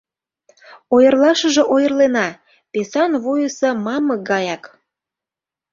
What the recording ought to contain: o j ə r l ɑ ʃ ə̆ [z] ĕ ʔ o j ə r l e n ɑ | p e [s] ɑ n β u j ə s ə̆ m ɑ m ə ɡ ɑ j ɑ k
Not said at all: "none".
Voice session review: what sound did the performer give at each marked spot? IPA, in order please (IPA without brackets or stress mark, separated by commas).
ʒ, s